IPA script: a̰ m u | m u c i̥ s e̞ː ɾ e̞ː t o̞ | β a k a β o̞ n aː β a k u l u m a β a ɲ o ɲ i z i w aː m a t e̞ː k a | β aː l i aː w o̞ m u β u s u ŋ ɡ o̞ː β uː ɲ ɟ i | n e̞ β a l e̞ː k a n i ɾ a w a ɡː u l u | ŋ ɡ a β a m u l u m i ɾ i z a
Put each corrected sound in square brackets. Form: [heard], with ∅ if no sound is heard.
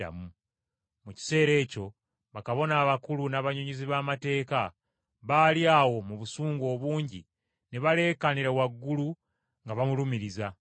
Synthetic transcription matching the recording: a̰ m u | m u c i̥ s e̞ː ɾ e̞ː [c] o̞ | β a k a β o̞ n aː β a k u l u [n] a β a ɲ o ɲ i z i [β] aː m a t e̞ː k a | β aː l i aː w o̞ m u β u s [uː] ŋ ɡ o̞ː β uː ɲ ɟ i | n e̞ β a l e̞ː k a n i ɾ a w a ɡː u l u | ŋ ɡ a β a m u l u m i ɾ i z a